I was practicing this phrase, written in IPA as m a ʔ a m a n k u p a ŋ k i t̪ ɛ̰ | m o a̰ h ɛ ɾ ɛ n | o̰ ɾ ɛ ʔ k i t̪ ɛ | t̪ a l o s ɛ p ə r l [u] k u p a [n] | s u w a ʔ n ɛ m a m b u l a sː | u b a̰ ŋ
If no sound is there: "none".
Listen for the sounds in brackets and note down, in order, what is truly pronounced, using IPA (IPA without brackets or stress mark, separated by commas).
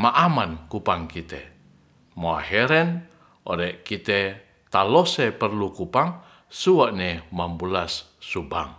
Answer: u, ŋ